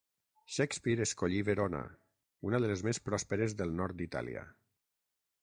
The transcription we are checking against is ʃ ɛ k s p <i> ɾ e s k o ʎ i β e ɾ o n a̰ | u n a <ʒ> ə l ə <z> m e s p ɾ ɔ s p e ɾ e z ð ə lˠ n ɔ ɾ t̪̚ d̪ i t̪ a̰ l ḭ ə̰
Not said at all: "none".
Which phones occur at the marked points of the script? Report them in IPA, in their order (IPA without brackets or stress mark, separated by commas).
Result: i, ð, z